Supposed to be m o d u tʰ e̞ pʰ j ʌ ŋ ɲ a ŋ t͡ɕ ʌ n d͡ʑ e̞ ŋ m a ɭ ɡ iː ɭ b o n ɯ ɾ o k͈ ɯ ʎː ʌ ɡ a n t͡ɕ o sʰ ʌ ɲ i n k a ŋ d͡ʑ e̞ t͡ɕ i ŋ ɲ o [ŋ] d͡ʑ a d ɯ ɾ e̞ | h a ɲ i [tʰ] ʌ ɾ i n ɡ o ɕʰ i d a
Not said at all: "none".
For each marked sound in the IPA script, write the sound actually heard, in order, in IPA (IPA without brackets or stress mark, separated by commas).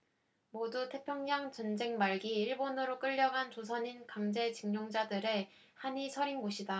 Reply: ŋ, sʰ